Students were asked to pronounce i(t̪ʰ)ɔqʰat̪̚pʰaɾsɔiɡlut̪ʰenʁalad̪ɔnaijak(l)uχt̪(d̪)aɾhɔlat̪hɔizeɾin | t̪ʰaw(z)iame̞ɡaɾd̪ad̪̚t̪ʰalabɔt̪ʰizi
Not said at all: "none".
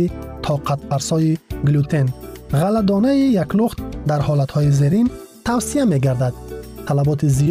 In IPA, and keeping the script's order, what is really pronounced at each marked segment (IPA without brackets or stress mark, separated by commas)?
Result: t̪ʰ, l, d̪, s